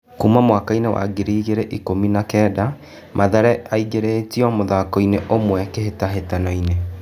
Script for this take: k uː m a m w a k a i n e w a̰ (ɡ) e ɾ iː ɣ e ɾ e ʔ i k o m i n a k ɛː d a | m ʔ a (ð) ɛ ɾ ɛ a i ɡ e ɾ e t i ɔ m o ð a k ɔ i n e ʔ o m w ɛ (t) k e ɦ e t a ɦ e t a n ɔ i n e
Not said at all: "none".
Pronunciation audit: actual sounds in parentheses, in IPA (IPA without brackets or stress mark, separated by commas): ɡ, ð, none